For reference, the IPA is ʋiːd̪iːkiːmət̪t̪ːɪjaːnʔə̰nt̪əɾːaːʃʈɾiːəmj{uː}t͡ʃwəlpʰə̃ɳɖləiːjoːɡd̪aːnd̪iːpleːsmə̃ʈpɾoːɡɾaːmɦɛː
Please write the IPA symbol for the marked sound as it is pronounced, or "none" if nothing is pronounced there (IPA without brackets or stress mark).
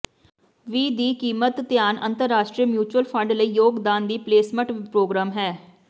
uː